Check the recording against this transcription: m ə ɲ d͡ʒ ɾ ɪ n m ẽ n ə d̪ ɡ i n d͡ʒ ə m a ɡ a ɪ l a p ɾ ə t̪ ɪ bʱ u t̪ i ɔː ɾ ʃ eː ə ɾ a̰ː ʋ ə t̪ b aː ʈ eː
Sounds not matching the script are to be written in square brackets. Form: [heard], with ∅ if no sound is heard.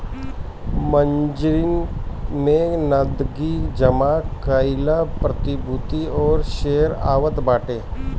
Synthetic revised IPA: m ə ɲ d͡ʒ ɾ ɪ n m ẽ n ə d̪ ɡ i [∅] d͡ʒ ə m a [k] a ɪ l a p ɾ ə t̪ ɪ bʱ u t̪ i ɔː ɾ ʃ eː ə ɾ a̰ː ʋ ə t̪ b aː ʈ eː